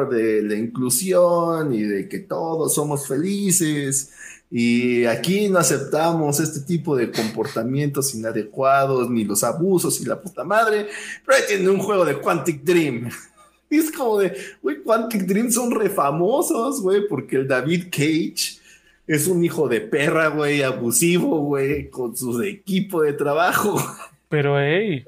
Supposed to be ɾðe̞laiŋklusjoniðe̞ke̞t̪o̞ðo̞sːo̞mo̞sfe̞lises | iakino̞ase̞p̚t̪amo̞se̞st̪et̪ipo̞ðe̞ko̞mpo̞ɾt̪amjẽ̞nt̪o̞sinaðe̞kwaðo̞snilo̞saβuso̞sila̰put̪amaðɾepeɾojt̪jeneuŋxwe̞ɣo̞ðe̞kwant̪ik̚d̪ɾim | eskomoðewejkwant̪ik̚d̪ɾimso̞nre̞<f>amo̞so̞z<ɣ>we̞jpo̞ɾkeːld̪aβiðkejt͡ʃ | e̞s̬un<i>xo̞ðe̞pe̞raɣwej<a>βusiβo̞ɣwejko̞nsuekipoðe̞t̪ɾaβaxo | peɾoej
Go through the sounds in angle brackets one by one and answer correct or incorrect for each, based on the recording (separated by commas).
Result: correct, correct, correct, correct